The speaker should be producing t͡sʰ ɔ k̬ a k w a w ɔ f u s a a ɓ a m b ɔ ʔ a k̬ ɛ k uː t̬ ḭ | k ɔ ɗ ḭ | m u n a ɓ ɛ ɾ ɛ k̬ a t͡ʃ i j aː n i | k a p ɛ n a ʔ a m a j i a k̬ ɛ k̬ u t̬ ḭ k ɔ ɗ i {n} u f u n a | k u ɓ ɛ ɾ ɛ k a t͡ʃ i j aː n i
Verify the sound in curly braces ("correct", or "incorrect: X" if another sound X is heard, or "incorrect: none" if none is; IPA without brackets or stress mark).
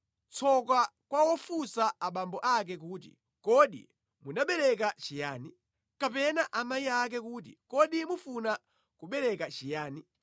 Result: incorrect: m